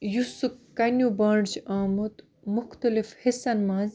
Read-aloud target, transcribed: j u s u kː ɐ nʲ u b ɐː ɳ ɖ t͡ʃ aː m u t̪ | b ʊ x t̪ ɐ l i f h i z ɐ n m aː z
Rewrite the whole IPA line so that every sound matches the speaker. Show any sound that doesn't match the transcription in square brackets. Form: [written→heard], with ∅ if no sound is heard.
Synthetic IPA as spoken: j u s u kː ɐ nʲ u b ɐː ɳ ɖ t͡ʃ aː m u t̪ | [b→m] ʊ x t̪ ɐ l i f h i [z→s] ɐ n m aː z